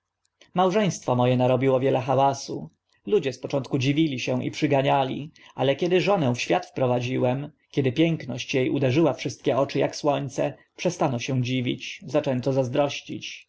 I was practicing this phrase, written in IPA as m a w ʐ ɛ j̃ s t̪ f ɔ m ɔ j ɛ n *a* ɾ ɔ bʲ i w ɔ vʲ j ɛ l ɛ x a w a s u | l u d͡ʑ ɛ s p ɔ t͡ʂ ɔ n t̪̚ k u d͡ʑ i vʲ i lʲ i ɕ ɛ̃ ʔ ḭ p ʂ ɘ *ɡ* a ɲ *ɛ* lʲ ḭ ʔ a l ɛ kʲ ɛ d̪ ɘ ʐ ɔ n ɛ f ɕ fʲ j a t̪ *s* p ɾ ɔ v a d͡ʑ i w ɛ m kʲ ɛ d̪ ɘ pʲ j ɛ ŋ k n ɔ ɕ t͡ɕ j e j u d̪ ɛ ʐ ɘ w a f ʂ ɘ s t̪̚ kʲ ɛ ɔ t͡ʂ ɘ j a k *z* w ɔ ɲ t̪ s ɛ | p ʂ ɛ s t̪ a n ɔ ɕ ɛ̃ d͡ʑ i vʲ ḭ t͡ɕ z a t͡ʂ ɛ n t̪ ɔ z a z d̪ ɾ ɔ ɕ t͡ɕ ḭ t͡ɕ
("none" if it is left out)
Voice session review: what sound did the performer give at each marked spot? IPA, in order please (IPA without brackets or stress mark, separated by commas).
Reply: a, ɡ, a, f, s